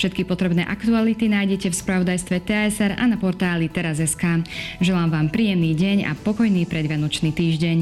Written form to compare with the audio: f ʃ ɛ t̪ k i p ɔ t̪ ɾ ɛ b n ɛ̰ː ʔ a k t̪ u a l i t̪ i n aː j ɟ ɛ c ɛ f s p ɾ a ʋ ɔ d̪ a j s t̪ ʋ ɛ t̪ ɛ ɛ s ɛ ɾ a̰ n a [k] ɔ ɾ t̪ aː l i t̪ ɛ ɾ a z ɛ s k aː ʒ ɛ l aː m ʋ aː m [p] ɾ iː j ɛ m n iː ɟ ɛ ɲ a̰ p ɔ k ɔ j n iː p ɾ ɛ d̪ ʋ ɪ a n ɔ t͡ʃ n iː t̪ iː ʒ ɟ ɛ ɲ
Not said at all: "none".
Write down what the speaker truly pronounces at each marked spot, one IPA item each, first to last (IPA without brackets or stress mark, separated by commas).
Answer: p, p